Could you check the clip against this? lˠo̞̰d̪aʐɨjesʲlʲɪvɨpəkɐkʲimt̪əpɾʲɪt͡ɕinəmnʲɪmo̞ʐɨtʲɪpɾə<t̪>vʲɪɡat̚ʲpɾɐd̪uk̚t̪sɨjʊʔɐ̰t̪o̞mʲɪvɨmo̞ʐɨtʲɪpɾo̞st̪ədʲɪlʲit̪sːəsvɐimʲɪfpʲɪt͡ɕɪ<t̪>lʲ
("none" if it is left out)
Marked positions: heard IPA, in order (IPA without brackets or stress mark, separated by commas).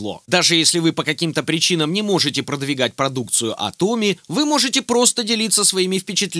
d̪, t̪